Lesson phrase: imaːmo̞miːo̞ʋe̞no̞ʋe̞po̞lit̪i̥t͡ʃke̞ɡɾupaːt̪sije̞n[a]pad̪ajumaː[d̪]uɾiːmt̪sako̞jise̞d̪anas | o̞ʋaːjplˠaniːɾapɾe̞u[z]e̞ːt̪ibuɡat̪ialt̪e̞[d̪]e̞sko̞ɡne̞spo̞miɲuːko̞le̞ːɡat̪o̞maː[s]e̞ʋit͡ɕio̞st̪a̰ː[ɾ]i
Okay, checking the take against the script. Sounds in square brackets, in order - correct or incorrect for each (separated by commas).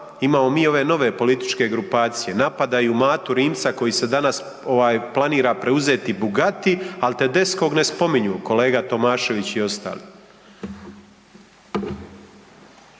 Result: correct, incorrect, correct, correct, incorrect, incorrect